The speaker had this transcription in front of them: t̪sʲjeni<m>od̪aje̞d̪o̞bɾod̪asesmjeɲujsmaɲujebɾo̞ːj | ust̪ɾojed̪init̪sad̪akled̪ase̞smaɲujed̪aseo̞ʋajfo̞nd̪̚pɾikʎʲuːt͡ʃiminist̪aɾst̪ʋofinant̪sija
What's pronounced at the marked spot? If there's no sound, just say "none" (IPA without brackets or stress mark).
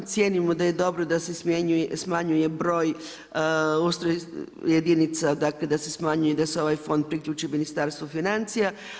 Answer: m